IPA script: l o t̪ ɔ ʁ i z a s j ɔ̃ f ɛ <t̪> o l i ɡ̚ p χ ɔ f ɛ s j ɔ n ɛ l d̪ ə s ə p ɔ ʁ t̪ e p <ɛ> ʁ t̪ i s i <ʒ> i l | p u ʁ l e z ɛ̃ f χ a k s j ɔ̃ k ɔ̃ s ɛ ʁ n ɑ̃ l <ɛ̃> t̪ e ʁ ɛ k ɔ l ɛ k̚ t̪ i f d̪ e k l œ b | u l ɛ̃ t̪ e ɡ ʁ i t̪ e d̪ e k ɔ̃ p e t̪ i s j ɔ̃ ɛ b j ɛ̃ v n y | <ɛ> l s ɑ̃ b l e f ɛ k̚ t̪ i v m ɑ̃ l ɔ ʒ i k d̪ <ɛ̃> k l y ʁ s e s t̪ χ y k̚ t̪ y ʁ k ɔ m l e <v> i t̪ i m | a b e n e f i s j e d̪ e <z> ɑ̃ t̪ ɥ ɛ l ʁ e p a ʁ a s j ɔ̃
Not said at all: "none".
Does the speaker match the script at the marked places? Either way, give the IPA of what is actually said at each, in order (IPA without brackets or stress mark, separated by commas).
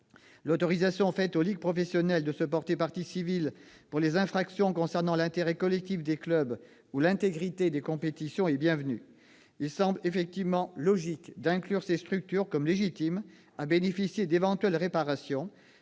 t̪, a, v, ɛ̃, i, ɛ̃, ʒ, v